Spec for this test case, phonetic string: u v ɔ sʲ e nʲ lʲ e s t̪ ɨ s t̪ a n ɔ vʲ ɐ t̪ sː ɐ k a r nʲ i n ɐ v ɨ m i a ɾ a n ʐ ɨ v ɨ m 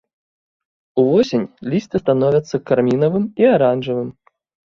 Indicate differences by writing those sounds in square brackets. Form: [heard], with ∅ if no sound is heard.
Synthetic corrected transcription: u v ɔ sʲ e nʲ lʲ [i] s t̪ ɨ s t̪ a n ɔ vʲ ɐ t̪ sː ɐ k a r [mʲ] i n ɐ v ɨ m i a ɾ a n ʐ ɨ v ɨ m